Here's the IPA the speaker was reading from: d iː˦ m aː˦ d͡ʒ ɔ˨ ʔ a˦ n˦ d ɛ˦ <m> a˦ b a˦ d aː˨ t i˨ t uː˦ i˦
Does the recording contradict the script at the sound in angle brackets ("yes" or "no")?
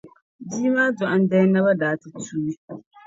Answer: yes